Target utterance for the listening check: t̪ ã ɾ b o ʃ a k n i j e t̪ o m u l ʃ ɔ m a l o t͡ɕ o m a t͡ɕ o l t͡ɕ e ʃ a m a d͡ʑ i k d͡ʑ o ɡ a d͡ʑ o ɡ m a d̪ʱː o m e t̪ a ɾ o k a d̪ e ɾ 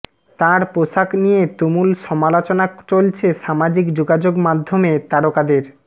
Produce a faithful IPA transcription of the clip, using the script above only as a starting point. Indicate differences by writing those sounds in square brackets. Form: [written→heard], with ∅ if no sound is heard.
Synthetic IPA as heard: t̪ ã ɾ [b→p] o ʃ a k n i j e t̪ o m u l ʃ ɔ m a l o t͡ɕ o [m→n] a t͡ɕ o l [t͡ɕ→t͡ɕʰ] e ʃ a m a d͡ʑ i k d͡ʑ o ɡ a d͡ʑ o ɡ m a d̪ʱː o m e t̪ a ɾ o k a d̪ e ɾ